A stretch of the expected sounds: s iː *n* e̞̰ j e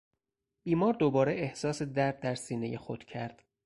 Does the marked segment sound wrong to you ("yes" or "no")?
no